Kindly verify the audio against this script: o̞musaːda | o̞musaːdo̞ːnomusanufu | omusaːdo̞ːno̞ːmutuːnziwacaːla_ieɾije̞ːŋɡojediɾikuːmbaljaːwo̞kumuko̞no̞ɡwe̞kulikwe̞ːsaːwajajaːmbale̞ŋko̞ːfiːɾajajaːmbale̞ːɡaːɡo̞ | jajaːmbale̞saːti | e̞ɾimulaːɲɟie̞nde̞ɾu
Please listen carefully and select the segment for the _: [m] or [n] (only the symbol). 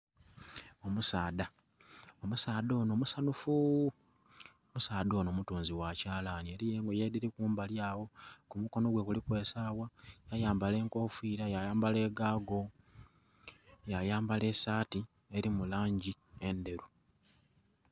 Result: n